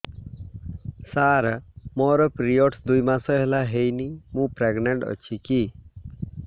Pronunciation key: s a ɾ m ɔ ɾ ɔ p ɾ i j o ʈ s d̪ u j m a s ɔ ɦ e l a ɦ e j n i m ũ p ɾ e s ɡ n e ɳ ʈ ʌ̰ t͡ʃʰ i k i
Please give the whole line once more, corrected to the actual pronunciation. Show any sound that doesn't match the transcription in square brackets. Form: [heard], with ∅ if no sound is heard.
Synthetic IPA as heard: s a ɾ m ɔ ɾ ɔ p ɾ i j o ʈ s d̪ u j m a s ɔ ɦ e l a ɦ e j n i m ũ p ɾ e [∅] ɡ n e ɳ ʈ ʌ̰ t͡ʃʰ i k i

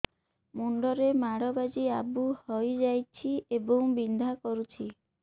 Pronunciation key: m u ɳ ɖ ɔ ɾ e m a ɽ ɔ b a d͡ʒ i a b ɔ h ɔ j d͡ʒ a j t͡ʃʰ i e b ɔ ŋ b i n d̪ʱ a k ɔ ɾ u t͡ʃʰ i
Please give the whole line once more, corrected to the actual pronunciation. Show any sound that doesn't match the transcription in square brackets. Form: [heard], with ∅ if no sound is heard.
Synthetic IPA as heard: m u ɳ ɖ ɔ ɾ e m a ɽ ɔ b a d͡ʒ i a b [u] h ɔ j d͡ʒ a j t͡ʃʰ i e b ɔ ŋ b i n d̪ʱ a k ɔ ɾ u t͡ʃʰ i

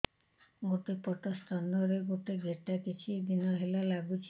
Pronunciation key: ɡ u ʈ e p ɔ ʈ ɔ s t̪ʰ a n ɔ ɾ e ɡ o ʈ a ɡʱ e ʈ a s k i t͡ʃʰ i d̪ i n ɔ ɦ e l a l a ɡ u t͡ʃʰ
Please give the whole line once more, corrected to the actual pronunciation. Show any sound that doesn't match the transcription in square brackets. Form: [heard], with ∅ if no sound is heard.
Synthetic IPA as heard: ɡ [o] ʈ e p ɔ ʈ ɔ s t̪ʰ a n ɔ ɾ e ɡ o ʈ [e] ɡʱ e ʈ a [∅] k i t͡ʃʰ i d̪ i n ɔ ɦ e l a l a ɡ u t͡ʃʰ

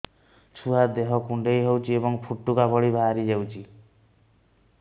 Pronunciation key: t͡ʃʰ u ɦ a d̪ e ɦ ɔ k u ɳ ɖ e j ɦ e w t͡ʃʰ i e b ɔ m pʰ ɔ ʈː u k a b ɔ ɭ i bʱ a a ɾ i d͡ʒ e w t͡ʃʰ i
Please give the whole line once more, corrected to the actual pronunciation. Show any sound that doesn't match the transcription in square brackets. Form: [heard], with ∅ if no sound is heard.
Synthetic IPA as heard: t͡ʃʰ u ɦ a d̪ e ɦ ɔ k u ɳ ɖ e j ɦ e w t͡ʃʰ i e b ɔ [ŋ] pʰ [u] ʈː u k a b ɔ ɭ i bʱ a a ɾ i d͡ʒ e w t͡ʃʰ i

